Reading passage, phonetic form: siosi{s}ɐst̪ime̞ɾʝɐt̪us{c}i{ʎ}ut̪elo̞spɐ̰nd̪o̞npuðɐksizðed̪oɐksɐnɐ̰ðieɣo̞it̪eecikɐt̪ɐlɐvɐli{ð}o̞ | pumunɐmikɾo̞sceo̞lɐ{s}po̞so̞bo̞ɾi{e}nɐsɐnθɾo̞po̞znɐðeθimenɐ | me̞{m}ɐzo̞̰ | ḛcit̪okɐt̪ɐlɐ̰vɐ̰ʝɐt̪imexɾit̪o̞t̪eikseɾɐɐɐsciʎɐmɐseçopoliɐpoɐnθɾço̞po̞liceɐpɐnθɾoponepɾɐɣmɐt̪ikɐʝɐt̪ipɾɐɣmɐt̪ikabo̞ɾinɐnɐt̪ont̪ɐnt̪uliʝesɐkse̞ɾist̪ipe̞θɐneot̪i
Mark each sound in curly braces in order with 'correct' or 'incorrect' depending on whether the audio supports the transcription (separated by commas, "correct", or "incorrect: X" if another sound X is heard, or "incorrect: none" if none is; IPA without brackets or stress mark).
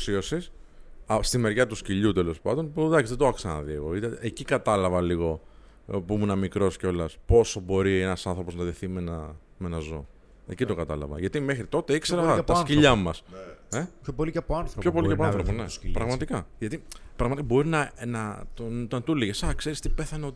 correct, correct, correct, incorrect: ɣ, correct, correct, incorrect: n